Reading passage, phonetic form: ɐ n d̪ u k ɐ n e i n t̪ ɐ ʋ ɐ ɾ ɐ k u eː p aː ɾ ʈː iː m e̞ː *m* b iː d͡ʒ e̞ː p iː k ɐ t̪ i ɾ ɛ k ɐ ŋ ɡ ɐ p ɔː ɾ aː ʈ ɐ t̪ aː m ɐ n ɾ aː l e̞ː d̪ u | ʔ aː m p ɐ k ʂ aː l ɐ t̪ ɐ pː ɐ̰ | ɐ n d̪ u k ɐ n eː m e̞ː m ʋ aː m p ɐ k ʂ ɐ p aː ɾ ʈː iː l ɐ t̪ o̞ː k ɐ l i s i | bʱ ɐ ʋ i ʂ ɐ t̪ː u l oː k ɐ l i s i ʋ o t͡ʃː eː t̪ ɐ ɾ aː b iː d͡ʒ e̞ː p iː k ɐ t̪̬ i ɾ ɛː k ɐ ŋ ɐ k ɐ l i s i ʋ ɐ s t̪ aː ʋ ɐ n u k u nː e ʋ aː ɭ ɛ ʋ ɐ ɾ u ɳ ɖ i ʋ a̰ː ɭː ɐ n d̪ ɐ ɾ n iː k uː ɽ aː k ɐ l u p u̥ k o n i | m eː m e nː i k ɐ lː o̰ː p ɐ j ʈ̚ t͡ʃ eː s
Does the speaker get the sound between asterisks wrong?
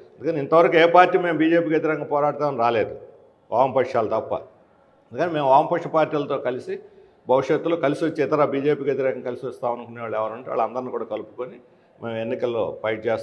no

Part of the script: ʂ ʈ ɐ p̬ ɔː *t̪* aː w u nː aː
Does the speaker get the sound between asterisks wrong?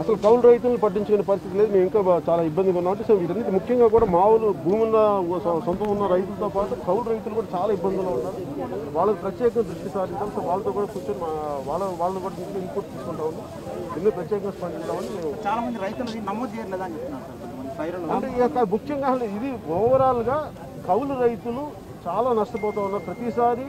no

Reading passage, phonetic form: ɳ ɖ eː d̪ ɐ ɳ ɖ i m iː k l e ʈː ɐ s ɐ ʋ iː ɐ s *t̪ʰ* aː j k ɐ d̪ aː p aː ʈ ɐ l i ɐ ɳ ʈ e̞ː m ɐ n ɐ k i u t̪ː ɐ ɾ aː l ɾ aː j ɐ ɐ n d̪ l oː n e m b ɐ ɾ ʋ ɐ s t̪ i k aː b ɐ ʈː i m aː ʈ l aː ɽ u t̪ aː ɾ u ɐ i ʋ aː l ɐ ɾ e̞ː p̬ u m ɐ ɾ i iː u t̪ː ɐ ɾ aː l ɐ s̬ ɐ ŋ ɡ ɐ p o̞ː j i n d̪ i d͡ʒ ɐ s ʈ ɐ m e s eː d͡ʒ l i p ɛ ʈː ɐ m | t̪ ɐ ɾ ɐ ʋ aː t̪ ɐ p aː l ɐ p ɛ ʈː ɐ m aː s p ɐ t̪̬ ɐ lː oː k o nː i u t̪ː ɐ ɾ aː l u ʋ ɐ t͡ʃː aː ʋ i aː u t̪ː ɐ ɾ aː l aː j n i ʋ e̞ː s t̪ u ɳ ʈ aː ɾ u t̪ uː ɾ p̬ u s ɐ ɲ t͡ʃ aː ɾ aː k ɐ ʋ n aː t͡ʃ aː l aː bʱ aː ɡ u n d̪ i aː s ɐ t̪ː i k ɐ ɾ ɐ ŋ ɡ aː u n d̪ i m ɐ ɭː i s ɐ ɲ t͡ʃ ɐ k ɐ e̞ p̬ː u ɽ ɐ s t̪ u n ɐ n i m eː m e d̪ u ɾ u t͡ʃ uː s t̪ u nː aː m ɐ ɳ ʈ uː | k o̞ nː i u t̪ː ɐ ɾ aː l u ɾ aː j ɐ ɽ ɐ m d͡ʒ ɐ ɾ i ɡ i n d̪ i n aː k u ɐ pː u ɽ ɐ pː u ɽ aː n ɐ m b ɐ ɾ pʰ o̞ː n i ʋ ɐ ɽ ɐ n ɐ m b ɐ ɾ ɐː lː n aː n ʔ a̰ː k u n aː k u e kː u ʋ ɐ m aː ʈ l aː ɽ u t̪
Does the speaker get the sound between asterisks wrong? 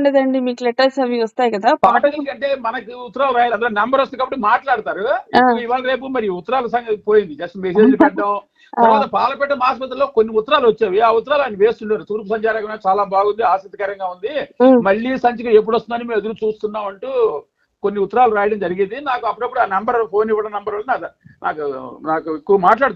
yes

